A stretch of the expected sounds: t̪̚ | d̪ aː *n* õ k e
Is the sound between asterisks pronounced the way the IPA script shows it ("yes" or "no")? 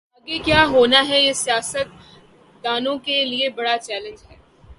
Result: yes